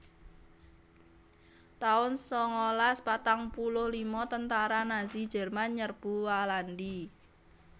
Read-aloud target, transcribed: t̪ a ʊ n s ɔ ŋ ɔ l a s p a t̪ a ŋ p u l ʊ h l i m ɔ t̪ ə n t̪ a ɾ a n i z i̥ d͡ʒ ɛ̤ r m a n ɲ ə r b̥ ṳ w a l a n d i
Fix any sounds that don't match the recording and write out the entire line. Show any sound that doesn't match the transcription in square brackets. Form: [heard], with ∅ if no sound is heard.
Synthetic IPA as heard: t̪ a ʊ n s ɔ ŋ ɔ l a s p a t̪ a ŋ p u l ʊ h l i m ɔ t̪ ə n t̪ a ɾ a n [a] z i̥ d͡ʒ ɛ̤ r m a n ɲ ə r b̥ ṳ w a l a n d i